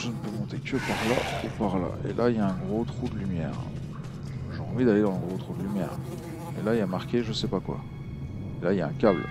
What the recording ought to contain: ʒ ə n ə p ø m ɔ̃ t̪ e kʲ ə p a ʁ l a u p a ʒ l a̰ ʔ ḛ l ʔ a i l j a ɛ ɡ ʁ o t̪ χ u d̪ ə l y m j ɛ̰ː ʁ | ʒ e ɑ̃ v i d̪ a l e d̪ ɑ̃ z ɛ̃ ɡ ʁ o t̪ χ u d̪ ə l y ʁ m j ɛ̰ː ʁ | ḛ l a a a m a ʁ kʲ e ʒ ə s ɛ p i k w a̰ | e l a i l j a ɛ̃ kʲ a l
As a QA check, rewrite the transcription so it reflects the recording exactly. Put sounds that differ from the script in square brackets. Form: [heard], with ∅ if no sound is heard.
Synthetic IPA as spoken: ʒ ə n ə p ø m ɔ̃ t̪ e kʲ ə p a ʁ l a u p a [ʁ] l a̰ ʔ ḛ l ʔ a i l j a [ɛ̃] ɡ ʁ o t̪ χ u d̪ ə l y m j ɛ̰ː ʁ | ʒ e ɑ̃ v i d̪ a l e d̪ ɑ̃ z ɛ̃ ɡ ʁ o t̪ χ u d̪ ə l y [∅] m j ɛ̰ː ʁ | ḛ l a [i] a m a ʁ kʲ e ʒ ə s ɛ p [a] k w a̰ | e l a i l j a ɛ̃ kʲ a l